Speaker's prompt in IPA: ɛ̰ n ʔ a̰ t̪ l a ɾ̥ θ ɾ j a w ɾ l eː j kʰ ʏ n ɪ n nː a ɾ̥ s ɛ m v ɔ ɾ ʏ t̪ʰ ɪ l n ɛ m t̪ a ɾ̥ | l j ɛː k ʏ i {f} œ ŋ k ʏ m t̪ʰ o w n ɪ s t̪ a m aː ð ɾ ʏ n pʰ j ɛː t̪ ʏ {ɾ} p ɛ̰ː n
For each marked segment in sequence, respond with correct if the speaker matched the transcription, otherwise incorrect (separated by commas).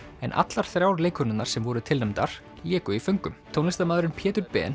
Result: correct, correct